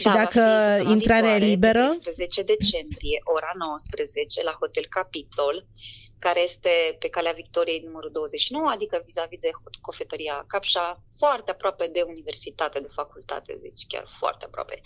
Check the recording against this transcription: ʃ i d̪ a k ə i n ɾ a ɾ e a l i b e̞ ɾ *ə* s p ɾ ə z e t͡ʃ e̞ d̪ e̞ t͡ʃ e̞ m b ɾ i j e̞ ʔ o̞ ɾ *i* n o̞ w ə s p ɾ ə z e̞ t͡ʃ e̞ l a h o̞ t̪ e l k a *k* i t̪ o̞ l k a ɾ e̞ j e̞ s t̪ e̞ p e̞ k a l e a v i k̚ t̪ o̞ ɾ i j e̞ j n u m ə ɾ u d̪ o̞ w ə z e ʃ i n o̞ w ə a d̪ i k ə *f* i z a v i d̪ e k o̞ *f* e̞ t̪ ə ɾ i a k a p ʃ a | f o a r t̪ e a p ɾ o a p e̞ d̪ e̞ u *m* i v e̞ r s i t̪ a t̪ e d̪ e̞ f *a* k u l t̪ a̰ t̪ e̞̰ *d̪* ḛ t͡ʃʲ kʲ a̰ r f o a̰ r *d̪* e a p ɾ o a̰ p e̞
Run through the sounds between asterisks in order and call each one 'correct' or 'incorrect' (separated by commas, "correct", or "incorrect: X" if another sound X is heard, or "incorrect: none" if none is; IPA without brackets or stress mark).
correct, incorrect: a, incorrect: p, incorrect: v, correct, incorrect: n, correct, correct, incorrect: t̪